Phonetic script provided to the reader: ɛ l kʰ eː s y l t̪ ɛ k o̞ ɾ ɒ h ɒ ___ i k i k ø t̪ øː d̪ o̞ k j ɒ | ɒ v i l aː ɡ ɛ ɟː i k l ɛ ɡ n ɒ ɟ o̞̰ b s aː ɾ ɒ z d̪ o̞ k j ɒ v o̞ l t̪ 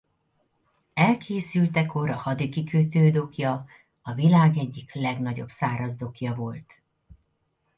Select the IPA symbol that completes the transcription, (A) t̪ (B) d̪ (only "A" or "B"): B